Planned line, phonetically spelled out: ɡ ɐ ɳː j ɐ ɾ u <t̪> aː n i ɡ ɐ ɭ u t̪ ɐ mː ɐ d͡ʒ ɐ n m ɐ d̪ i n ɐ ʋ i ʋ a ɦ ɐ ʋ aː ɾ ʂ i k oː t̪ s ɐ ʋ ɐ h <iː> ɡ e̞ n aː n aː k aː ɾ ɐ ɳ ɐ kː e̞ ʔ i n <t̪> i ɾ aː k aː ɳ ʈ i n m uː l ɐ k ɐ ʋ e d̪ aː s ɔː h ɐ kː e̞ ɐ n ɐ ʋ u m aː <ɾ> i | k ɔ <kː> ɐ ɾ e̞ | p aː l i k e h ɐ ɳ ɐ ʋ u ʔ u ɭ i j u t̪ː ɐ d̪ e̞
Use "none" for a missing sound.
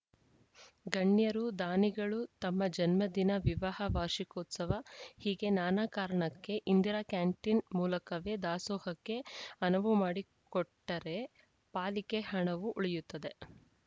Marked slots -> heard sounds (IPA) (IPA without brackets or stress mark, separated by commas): d̪, iː, d̪, ɽ, ʈː